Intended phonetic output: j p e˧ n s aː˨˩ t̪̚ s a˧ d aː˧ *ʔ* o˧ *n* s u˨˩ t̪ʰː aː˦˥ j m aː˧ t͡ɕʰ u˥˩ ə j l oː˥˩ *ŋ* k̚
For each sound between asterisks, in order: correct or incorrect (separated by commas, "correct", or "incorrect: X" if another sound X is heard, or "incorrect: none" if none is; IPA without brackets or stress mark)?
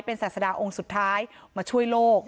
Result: correct, incorrect: ŋ, incorrect: none